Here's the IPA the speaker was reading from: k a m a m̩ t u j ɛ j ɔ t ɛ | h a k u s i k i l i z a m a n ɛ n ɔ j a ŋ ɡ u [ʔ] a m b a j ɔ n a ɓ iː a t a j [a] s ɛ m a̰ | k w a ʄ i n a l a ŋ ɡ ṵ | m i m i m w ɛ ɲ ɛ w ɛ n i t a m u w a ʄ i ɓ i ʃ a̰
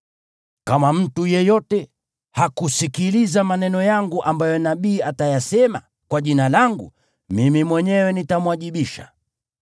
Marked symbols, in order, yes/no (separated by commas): yes, yes